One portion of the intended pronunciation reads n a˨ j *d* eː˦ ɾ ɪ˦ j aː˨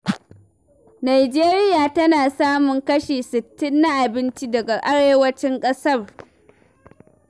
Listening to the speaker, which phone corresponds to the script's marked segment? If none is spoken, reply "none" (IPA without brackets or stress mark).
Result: d͡ʒ